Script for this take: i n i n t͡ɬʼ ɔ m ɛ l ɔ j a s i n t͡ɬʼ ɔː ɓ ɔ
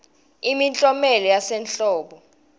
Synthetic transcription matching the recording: i m i n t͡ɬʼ ɔ m ɛ l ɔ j a s ɛ n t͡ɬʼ ɔː ɓ ɔ